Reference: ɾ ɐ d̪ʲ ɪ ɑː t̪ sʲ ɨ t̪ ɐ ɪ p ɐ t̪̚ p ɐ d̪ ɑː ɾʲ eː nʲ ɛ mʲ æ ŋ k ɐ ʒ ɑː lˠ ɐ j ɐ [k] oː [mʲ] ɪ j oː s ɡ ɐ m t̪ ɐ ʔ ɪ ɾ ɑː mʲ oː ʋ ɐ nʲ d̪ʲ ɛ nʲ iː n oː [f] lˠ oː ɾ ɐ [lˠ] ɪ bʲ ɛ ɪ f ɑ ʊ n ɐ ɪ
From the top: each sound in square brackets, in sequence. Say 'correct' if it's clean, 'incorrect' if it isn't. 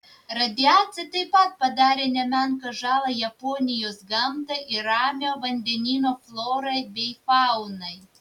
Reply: incorrect, incorrect, correct, incorrect

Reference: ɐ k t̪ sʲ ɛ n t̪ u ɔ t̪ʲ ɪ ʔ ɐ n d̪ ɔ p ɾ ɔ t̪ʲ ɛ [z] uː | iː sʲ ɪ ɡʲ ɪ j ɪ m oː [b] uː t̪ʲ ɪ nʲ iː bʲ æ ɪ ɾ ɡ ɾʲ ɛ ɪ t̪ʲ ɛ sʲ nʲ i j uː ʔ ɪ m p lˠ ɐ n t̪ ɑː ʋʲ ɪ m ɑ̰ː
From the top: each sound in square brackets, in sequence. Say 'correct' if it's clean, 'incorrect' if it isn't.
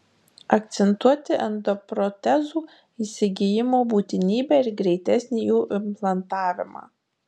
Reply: correct, correct

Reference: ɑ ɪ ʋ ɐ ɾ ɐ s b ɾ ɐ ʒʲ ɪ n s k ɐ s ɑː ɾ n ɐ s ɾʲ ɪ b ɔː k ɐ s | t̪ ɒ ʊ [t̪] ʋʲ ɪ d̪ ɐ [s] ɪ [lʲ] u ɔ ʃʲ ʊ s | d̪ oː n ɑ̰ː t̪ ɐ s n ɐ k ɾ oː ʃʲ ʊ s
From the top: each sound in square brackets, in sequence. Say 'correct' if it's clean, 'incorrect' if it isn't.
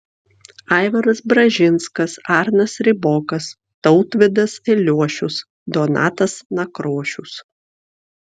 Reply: correct, correct, correct

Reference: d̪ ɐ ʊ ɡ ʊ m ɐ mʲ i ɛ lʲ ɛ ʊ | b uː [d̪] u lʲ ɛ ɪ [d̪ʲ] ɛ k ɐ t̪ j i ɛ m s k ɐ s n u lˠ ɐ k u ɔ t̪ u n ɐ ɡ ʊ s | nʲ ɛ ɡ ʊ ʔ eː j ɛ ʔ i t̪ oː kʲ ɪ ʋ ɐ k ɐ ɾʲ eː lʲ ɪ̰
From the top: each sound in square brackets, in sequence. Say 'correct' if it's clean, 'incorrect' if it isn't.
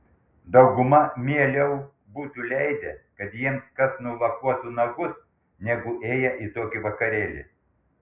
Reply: incorrect, correct

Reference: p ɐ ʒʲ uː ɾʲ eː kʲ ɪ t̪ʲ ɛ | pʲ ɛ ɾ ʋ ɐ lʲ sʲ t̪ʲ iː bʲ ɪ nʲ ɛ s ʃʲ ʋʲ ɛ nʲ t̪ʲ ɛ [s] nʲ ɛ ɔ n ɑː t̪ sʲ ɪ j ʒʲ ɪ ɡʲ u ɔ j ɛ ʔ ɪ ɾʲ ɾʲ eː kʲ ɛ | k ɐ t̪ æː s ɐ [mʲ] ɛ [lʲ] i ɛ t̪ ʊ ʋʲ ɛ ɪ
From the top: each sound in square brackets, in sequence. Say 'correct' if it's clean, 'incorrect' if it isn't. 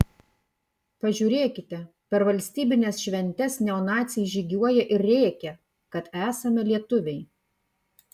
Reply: correct, correct, correct

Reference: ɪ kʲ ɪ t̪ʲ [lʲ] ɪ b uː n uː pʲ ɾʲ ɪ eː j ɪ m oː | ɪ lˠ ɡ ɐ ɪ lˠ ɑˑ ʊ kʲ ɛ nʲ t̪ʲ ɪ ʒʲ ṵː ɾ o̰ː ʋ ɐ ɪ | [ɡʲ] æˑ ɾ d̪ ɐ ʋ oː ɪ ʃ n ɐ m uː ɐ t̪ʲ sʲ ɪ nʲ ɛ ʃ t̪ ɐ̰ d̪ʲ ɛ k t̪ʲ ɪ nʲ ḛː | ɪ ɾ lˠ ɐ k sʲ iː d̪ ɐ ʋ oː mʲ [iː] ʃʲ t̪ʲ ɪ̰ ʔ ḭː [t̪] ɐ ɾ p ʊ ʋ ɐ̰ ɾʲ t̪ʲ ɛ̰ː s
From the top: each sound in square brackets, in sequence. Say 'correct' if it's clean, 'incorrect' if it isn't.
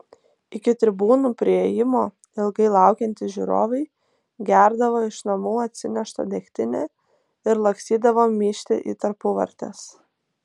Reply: incorrect, correct, correct, correct

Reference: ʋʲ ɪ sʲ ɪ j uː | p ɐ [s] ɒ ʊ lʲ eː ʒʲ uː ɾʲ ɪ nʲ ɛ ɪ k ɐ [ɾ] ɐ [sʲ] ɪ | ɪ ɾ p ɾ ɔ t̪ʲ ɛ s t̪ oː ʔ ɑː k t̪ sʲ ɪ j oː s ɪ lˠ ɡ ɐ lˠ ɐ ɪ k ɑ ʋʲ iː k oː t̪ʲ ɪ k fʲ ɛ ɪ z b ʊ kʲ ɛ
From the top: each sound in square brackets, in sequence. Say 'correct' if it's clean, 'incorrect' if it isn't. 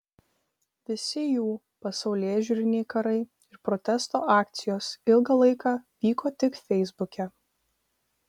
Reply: correct, correct, incorrect

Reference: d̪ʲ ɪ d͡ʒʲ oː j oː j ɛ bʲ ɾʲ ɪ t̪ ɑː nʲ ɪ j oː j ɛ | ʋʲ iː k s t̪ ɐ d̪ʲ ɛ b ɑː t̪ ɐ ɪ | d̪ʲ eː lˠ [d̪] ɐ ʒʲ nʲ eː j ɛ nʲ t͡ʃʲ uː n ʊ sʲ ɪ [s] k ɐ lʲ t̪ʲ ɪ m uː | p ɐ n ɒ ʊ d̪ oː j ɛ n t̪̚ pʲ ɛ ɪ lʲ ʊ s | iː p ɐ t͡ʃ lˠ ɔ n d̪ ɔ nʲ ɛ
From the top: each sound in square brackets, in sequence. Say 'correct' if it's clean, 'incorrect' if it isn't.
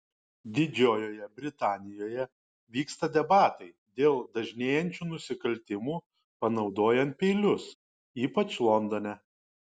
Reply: correct, incorrect

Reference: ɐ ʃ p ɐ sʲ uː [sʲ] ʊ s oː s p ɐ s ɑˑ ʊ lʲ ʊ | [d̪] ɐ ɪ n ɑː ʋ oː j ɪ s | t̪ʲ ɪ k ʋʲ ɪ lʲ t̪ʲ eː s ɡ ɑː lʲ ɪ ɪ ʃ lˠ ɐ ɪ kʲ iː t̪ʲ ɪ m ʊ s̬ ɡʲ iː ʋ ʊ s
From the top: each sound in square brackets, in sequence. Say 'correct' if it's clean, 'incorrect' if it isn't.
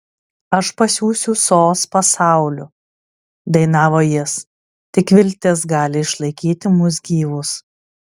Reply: correct, correct

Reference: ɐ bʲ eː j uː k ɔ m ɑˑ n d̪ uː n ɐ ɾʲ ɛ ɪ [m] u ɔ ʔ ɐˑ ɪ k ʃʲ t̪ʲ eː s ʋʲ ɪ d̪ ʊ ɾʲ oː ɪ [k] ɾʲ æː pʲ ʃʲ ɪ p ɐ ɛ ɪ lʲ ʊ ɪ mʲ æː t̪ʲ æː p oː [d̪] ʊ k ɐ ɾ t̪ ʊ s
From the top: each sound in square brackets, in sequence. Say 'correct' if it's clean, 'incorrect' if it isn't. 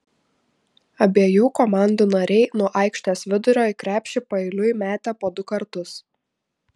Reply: incorrect, correct, correct

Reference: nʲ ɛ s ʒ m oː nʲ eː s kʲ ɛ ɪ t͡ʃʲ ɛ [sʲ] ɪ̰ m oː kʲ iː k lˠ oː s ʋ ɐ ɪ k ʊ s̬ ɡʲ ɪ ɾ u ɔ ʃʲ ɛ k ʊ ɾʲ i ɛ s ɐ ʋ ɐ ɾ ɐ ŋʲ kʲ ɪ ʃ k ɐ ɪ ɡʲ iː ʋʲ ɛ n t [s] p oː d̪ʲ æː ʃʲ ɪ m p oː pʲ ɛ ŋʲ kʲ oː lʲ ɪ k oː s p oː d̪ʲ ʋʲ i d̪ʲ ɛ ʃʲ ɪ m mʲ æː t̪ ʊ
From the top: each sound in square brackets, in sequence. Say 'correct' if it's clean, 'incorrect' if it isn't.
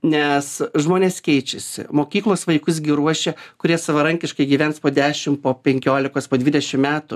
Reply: correct, correct

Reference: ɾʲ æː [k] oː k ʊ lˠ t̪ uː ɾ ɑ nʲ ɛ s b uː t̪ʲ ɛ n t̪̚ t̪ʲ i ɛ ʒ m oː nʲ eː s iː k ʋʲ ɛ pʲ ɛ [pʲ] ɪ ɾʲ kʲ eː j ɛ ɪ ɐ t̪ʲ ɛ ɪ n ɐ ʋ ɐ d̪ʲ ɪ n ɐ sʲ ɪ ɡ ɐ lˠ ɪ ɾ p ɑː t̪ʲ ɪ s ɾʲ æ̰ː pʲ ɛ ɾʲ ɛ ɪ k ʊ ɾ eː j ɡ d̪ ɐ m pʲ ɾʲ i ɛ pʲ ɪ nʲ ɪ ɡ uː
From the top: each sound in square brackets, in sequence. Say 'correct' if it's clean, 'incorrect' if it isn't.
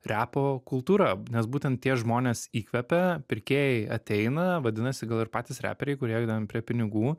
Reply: incorrect, correct

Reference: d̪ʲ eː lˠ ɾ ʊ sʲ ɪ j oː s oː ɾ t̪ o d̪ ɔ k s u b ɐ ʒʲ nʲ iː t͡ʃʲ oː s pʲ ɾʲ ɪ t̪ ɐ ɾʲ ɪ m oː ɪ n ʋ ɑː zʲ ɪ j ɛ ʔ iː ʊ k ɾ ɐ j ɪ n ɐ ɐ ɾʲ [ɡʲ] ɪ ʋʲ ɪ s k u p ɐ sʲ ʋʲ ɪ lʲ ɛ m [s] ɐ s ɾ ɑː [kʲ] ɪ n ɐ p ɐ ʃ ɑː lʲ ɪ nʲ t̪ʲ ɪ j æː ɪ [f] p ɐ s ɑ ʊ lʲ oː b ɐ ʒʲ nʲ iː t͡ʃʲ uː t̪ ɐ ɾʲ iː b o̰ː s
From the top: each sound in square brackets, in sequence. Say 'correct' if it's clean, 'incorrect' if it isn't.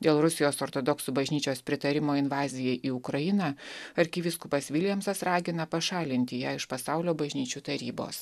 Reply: incorrect, correct, incorrect, incorrect

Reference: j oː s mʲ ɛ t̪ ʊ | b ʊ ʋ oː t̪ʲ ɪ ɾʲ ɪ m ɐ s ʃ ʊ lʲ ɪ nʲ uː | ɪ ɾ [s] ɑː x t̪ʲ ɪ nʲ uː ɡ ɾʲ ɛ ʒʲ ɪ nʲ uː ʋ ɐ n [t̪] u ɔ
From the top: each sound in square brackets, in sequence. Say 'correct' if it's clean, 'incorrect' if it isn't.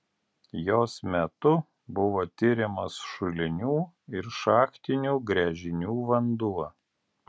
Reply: incorrect, incorrect

